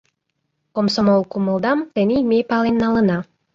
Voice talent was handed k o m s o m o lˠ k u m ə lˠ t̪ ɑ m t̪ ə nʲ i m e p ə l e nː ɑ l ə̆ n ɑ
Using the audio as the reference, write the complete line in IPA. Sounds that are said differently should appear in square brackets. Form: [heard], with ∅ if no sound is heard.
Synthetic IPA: k o m s o m o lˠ k u m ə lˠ [d̪] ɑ m t̪ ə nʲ i m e p [ɑ] l e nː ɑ l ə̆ n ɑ